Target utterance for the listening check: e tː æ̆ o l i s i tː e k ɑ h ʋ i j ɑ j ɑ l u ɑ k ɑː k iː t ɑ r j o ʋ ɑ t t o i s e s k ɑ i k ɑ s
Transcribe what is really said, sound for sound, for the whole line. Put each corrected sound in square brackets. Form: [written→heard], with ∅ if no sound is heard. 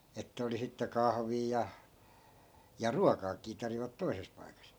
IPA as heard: e tː æ̆ o l i s i tː e k ɑ h ʋ [i→iː] j ɑ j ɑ [l→r] u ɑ k ɑː k iː t ɑ r j o ʋ ɑ t t o i s e s [k→p] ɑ i k ɑ s